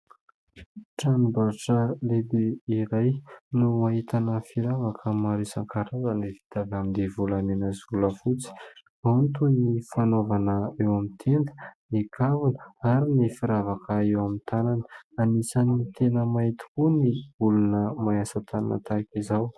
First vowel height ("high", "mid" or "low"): low